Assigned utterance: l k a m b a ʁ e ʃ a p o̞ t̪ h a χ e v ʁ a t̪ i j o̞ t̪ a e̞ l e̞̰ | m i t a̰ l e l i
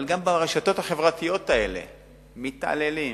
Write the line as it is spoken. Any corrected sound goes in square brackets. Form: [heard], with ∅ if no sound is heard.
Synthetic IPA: l [ɡ] a m b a ʁ e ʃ a [t] o̞ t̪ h a χ e v ʁ a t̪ i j o̞ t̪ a e̞ l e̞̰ | m i t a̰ l e l i